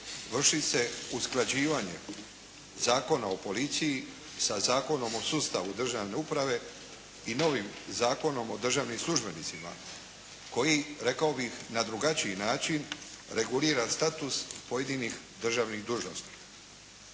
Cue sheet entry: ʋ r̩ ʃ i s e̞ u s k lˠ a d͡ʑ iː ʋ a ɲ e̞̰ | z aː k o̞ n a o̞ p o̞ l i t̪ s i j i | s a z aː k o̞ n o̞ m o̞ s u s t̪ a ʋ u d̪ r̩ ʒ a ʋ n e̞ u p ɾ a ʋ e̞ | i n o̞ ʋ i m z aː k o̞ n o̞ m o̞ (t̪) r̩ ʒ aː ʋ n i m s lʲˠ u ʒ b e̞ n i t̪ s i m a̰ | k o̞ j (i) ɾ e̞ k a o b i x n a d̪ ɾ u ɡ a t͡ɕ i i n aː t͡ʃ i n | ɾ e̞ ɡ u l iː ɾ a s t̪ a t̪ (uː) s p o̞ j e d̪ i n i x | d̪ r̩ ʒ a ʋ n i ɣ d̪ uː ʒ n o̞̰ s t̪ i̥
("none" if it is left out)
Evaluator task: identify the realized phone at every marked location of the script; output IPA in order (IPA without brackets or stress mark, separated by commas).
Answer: d̪, i, u